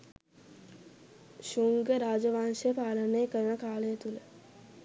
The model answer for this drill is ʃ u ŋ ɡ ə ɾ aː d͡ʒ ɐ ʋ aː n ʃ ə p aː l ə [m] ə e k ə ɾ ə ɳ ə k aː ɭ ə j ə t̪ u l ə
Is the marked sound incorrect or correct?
incorrect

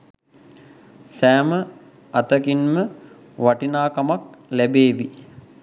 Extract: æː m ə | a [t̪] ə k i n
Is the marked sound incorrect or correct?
correct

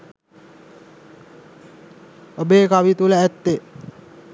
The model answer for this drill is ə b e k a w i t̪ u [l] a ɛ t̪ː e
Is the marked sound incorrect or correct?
correct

